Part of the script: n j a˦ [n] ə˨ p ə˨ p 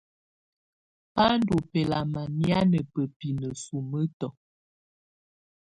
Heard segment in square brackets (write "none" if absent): n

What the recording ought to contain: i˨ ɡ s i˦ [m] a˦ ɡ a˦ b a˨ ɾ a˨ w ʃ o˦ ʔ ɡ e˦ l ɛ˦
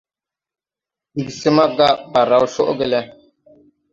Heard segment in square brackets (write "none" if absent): m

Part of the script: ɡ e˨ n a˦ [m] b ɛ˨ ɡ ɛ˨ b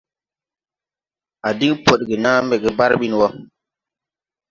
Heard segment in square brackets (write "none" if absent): m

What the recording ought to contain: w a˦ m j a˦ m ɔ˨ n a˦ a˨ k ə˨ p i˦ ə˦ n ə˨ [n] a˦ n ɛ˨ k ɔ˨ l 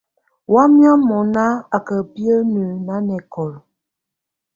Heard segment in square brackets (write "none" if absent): n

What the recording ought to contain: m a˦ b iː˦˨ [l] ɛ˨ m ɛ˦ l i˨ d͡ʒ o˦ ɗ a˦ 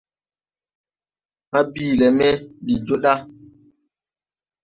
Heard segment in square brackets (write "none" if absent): l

